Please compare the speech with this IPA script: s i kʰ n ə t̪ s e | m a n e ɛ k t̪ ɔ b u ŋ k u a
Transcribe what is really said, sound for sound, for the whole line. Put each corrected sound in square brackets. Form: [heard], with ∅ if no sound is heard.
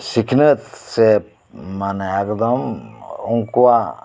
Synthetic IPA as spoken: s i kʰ n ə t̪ s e | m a n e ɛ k [d̪] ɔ [m] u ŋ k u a